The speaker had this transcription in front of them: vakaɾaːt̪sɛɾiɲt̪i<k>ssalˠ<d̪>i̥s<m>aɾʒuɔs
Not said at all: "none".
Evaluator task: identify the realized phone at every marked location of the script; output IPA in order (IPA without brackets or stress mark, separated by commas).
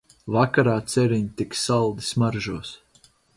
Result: k, d̪, m